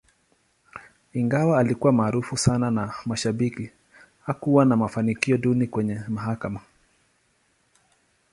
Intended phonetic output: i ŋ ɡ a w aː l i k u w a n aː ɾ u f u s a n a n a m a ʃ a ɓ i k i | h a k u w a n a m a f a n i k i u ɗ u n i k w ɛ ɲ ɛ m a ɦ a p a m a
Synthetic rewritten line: i ŋ ɡ a w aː l i k u w a m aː ɾ u f u s a n a n a m a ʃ a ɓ i k i | h a k u w a n a m a f a n i k i ɔ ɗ u n i k w ɛ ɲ ɛ m a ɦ a k a m a